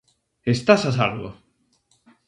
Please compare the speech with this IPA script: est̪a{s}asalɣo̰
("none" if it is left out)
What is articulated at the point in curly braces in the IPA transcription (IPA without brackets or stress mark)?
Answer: s